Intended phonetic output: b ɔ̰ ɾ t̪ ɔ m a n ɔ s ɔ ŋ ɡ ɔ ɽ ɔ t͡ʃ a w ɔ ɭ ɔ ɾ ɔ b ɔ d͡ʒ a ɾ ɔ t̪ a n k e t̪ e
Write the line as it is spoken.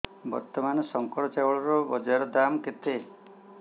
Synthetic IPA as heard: b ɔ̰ ɾ t̪ ɔ m a n ɔ s ɔ ŋ k ɔ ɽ ɔ t͡ʃ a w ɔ ɭ ɔ ɾ ɔ b ɔ d͡ʒ a ɾ ɔ d̪ a m k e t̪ e

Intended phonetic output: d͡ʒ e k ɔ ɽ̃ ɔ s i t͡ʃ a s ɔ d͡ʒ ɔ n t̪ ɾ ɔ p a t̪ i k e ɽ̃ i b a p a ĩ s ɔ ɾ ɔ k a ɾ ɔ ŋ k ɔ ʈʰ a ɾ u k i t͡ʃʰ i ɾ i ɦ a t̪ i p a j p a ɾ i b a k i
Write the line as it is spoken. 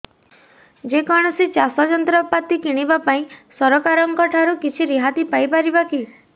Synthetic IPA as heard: d͡ʒ e k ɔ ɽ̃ ɔ s i t͡ʃ a s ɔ d͡ʒ ɔ n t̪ ɾ ɔ p a t̪ i k i ɽ̃ i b a p a ĩ s ɔ ɾ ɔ k a ɾ ɔ ŋ k ɔ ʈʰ a ɾ u k i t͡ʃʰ i ɾ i ɦ a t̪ i p a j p a ɾ i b a k i

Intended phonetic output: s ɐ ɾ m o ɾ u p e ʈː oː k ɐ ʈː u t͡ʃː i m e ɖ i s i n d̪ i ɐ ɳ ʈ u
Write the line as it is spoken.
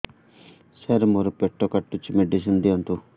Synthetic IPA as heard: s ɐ ɾ m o ɾ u p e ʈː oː k ɐ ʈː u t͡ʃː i m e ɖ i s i n d̪ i ɐ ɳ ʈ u

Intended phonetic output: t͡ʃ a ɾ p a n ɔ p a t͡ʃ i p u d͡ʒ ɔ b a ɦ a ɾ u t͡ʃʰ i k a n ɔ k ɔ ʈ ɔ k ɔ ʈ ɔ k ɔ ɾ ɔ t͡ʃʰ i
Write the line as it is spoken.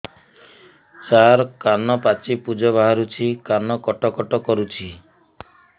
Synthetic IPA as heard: t͡ʃ a ɾ k a n ɔ p a t͡ʃ i p u d͡ʒ ɔ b a ɦ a ɾ u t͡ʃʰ i k a n ɔ k ɔ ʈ ɔ k ɔ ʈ ɔ k ɔ ɾ u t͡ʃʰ i

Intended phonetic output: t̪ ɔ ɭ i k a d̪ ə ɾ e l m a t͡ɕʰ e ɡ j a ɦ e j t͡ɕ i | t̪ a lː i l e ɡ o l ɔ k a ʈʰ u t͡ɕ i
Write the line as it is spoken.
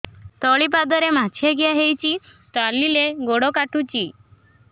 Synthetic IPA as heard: t̪ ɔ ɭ i p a d̪ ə ɾ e m a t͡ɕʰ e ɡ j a ɦ e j t͡ɕ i | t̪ a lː i l e ɡ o ɽ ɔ k a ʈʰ u t͡ɕ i

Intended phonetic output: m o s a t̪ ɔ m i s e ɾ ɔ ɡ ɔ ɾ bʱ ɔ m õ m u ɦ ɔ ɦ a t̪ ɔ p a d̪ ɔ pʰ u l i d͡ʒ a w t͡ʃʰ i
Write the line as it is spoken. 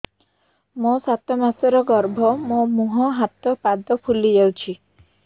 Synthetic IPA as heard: m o s a t̪ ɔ m a s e ɾ ɔ ɡ ɔ ɾ bʱ ɔ m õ m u ɦ ɔ ɦ a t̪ ɔ p a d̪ ɔ pʰ u l i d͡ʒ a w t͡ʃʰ i

